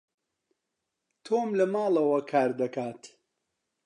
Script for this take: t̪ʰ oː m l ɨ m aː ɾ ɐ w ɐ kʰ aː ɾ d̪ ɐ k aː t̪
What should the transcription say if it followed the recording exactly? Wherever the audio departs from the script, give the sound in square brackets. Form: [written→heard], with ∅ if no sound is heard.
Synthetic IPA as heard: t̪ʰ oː m l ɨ m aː [ɾ→l] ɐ w ɐ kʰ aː ɾ d̪ ɐ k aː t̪